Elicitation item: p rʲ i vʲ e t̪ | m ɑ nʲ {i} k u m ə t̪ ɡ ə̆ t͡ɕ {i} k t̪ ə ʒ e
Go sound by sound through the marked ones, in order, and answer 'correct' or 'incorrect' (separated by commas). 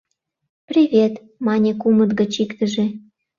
incorrect, correct